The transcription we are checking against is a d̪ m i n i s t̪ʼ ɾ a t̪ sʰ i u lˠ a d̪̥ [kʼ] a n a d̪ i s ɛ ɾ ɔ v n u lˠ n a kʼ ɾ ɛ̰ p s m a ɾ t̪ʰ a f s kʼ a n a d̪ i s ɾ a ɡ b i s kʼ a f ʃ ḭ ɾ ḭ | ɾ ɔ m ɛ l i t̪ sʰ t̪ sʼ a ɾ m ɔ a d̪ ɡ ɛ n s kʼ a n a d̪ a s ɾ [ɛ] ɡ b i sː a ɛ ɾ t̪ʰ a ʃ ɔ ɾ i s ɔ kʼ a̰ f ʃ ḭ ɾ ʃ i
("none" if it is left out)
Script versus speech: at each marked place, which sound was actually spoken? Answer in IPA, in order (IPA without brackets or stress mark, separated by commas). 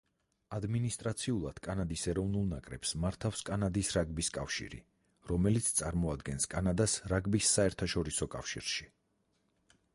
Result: kʼ, a